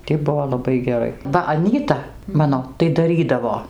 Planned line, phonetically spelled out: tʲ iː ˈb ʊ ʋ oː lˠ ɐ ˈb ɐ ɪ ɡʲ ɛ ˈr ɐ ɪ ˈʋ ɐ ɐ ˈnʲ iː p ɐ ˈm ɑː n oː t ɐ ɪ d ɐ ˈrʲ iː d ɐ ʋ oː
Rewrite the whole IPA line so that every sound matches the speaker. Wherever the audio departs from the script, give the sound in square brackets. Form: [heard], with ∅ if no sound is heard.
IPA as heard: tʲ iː ˈb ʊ ʋ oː lˠ ɐ ˈb ɐ ɪ ɡʲ ɛ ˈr ɐ ɪ ˈʋ ɐ ɐ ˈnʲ iː [t] ɐ ˈm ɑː n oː t ɐ ɪ d ɐ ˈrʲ iː d ɐ ʋ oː